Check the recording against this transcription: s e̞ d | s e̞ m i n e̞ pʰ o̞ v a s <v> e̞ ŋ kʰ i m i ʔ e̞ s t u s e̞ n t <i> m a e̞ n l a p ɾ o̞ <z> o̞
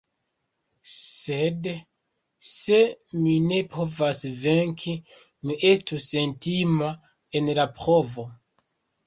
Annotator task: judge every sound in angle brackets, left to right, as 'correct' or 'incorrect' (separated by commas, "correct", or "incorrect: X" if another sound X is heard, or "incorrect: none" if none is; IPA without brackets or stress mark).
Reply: correct, correct, incorrect: v